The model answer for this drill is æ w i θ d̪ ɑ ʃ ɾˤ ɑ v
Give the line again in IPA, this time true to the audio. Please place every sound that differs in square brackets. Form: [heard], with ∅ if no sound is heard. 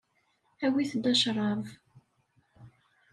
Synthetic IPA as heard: æ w i θ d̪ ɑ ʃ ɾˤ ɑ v